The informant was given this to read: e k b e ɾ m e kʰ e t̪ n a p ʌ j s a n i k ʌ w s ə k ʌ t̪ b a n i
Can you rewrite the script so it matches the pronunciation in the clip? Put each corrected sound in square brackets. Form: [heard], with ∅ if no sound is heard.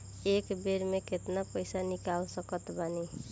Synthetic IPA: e k b e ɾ m e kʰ e t̪ n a p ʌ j s a n i k [a] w s [ʌ] k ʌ t̪ b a n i